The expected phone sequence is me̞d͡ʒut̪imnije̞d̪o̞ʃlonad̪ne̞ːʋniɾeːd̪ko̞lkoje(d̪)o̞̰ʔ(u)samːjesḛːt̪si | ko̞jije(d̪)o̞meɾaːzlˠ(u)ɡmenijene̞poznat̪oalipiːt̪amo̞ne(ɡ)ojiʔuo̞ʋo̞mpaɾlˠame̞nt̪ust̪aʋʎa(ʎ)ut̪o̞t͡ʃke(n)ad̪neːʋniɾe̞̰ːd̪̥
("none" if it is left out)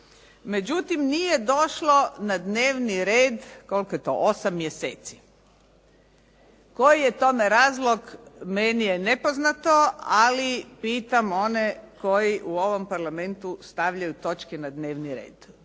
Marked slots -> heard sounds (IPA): t̪, o, t̪, o, k, j, n

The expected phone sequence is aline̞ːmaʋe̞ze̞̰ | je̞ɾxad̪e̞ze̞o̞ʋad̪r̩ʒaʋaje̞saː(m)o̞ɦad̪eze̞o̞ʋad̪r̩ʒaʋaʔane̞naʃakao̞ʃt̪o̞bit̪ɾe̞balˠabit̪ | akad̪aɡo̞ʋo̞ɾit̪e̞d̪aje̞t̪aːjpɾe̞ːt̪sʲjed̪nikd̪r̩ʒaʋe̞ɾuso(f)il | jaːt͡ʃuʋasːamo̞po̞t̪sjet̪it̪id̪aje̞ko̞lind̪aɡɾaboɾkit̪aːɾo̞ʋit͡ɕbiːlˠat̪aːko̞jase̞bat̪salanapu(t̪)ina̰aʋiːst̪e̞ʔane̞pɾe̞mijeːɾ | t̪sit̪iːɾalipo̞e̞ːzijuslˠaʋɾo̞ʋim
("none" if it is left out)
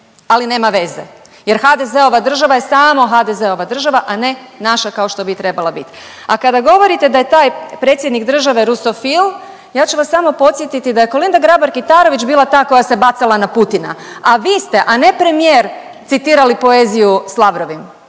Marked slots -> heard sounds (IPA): m, f, t̪

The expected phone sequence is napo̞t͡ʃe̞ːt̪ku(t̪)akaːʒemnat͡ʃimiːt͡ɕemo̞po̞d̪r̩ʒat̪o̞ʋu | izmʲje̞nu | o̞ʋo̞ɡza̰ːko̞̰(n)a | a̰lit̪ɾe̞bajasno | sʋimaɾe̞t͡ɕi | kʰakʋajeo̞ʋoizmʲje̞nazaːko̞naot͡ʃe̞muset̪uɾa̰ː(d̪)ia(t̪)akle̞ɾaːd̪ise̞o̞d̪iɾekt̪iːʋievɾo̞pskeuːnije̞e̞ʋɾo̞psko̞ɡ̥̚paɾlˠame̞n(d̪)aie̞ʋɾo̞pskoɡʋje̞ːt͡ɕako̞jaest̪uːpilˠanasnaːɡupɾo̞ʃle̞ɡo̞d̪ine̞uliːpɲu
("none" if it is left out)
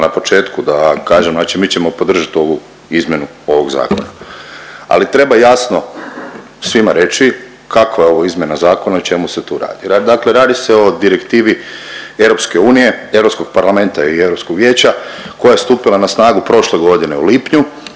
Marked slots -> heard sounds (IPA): d̪, n, d̪, d̪, t̪

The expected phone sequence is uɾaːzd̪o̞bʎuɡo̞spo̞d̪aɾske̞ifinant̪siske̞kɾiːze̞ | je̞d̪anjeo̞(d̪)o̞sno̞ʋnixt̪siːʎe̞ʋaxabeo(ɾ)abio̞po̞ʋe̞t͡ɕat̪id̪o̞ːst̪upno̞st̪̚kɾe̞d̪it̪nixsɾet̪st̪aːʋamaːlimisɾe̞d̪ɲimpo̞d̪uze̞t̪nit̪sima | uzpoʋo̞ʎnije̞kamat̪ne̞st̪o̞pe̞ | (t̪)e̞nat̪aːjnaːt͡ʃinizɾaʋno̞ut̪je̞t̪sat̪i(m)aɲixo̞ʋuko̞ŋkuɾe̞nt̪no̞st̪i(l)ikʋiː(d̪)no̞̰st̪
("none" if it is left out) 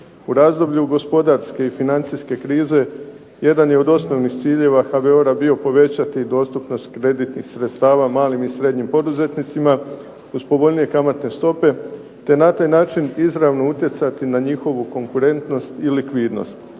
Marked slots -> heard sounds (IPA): d̪, ɾ, t̪, n, l, d̪

